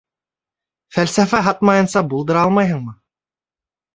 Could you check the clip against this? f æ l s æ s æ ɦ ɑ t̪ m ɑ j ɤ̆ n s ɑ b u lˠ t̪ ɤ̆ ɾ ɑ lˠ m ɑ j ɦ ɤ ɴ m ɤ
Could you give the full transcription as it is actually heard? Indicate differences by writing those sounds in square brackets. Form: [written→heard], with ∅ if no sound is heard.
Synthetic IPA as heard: f æ l s æ [s→f] æ ɦ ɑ t̪ m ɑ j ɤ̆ n s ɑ b u lˠ [t̪→d̪] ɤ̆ ɾ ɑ lˠ m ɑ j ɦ ɤ ɴ m ɤ